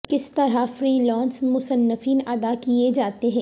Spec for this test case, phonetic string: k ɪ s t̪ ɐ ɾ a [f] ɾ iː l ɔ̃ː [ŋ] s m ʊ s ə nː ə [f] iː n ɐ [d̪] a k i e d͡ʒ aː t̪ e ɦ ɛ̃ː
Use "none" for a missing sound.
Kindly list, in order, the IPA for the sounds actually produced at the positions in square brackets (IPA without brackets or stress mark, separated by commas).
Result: f, n, f, d̪